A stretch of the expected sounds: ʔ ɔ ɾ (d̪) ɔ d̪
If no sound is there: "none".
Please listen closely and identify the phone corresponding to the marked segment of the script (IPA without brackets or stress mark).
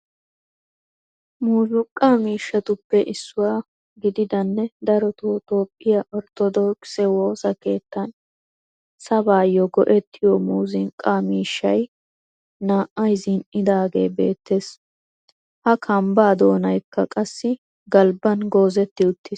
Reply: t̪